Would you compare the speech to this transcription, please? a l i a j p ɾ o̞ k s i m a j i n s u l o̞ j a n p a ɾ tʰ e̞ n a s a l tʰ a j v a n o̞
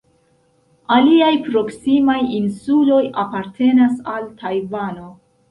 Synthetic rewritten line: a l i a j p ɾ o̞ k s i m a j i n s u l o̞ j a p a ɾ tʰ e̞ n a s a l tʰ a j v a n o̞